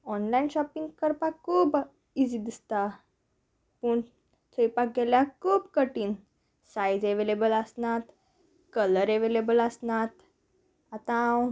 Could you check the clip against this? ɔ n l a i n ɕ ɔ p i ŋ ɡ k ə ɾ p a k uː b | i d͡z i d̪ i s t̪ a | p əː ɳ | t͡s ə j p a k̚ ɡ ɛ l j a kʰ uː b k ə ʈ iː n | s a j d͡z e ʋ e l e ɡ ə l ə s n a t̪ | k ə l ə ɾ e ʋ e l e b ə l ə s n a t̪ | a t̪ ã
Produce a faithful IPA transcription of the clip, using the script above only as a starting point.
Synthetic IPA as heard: ɔ n l a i n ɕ ɔ p i ŋ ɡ k ə ɾ p a k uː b | i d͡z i d̪ i s t̪ a | p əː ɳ | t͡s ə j p a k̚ ɡ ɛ l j a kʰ uː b k ə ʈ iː n | s a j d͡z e ʋ e l e b ə l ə s n a t̪ | k ə l ə ɾ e ʋ e l e b ə l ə s n a t̪ | a t̪ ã